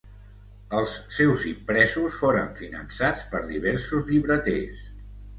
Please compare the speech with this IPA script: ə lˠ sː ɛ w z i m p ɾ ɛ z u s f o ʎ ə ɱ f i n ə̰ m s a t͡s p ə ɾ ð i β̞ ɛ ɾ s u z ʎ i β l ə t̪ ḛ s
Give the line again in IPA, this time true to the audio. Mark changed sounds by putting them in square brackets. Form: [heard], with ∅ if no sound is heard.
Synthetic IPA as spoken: ə lˠ sː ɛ w z i m p ɾ ɛ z u s f o [ɾ] ə ɱ f i n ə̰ [n] s a t͡s p ə ɾ ð i β̞ ɛ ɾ s u z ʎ i β [ɾ] ə t̪ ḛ s